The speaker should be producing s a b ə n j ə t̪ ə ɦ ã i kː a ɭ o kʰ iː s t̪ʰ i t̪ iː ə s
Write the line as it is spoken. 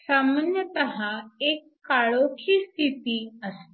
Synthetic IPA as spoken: s a m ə n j ə t̪ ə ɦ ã e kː a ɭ o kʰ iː s t̪ʰ i t̪ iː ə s

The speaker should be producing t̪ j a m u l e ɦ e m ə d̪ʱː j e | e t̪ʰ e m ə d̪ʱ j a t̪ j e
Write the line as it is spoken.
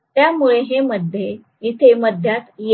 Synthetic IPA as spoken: t̪ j a m u ɭ e ɦ e m ə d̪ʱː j e | i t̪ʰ e m ə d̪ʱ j a t̪ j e

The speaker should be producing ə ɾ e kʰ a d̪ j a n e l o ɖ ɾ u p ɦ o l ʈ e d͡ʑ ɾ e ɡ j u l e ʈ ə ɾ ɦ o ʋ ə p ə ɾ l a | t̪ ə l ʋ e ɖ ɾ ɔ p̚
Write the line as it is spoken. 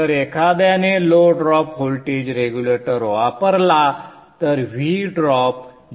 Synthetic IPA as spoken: ə ɾ e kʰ a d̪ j a n e l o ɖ ɾ ɔ p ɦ o l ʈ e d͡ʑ ɾ e ɡ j u l e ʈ ə ɾ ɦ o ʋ a p ə ɾ l a | t̪ ə ɾ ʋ i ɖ ɾ ɔ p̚

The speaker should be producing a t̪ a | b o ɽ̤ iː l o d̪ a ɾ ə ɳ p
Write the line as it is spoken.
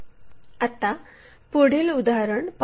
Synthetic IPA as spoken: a t̪ a | p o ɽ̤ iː l u d̪ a ɾ ə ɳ p

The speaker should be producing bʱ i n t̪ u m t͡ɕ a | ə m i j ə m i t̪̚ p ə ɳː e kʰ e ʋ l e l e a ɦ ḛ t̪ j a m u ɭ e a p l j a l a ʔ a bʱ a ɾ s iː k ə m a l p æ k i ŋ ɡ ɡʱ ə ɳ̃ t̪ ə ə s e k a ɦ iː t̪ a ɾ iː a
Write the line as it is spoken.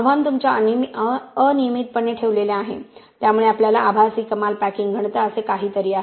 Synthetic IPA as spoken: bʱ a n t̪ u m t͡ɕ a | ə n i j ə m i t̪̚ p ə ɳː e ʈʰ e ʋ l e l e a ɦ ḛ t̪ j a m u ɭ e a p l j a l a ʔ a bʱ a s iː k ə m a l p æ k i ŋ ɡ ɡʱ ə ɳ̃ t̪ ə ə s e k a ɦ iː t̪ ə ɾ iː a

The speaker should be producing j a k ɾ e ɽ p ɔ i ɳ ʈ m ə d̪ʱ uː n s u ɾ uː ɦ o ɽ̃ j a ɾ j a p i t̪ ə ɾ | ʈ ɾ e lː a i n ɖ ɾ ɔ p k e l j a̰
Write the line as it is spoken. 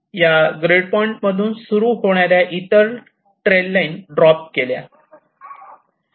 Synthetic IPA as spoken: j a ɡ ɾ e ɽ p ɔ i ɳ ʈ m ə d̪ʱ uː n s u ɾ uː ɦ o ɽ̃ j a ɾ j a ʔ i t̪ ə ɾ | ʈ ɾ e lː a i n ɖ ɾ ɔ p k e l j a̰

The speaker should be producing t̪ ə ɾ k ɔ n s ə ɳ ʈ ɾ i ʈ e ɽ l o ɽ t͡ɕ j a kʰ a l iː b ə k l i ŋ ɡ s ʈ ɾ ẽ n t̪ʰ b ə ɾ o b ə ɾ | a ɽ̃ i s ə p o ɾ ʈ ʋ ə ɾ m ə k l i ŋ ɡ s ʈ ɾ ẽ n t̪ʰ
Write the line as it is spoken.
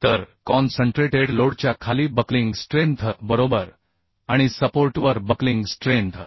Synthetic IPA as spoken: t̪ ə ɾ k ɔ n s ə ɳ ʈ ɾ e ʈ e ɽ l o ɽ t͡ɕ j a kʰ a l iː b ə k l i ŋ ɡ s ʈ ɾ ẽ n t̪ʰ b ə ɾ o b ə ɾ | a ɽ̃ i s ə p o ɾ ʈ ʋ ə ɾ b ə k l i ŋ ɡ s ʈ ɾ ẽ n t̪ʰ

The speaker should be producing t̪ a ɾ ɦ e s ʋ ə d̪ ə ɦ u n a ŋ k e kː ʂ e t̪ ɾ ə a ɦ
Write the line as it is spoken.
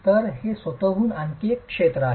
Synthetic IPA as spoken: t̪ ə ɾ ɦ e s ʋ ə t̪ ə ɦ uː n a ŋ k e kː ʂ e t̪ ɾ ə a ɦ

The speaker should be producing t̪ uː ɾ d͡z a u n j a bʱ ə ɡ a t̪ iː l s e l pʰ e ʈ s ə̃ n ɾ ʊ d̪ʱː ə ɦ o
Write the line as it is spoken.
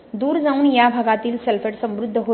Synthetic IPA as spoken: d̪ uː ɾ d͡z a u n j a bʱ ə ɡ a t̪ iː l s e l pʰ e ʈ s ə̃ m ɾ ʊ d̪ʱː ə ɦ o

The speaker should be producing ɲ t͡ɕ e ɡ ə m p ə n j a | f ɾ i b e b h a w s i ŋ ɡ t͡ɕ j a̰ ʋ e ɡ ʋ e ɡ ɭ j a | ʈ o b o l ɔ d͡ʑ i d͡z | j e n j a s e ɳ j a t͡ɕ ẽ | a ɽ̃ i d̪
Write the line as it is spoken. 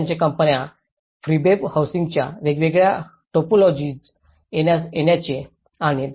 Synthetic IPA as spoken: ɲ t͡ɕ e k ə m p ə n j a | f ɾ i b e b h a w s i ŋ ɡ t͡ɕ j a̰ ʋ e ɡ ʋ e ɡ ɭ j a | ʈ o p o l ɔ d͡ʑ i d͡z | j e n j a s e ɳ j a t͡ɕ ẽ | a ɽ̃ i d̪

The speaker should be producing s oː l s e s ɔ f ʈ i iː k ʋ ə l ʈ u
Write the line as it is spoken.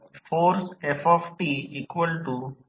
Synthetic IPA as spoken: f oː ɾ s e f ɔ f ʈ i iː k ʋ ə l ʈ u

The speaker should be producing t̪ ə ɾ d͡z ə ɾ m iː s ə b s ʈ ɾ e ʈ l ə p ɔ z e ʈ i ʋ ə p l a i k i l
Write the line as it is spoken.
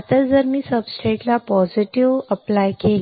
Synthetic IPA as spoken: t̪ ə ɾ d͡z ə ɾ m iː s ə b s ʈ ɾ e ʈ l a p ɔ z i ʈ i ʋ ə p l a j k e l

